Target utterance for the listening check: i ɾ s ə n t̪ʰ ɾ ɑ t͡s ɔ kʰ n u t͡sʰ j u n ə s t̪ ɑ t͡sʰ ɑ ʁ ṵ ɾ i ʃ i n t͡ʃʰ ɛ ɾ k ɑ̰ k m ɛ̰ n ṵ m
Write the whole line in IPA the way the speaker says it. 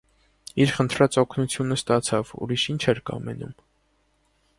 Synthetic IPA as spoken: i ɾ χ ə n t̪ʰ ɾ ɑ t͡s ɔ kʰ n u t͡sʰ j u n ə s t̪ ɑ t͡sʰ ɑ v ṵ ɾ i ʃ i n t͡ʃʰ ɛ ɾ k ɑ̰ m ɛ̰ n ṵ m